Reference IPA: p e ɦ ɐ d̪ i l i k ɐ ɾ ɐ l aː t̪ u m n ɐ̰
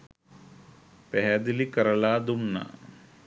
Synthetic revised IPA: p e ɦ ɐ d̪ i l i k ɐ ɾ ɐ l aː d̪ u m n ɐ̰